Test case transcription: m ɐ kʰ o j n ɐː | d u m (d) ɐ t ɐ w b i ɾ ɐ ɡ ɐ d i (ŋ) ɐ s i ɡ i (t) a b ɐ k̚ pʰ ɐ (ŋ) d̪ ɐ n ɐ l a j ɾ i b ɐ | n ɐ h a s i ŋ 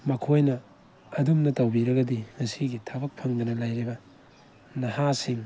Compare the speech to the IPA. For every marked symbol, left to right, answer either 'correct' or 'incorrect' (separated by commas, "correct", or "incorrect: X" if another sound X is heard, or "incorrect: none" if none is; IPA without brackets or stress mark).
incorrect: n, correct, incorrect: tʰ, correct